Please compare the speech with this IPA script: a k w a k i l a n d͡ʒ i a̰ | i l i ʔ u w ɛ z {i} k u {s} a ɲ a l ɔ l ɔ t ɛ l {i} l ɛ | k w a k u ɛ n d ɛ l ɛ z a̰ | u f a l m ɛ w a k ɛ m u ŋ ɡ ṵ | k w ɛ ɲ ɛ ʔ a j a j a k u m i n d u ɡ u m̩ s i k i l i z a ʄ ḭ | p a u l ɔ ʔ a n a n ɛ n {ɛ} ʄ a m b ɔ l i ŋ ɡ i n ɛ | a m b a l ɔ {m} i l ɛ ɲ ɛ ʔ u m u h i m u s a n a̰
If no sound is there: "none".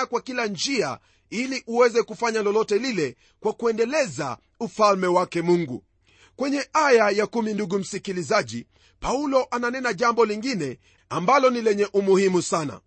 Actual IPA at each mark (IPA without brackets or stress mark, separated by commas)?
ɛ, f, i, a, n